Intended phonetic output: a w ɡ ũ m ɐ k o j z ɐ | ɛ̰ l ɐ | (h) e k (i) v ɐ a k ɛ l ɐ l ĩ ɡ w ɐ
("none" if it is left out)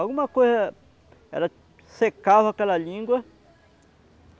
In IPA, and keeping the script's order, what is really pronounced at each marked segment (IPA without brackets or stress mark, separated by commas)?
s, a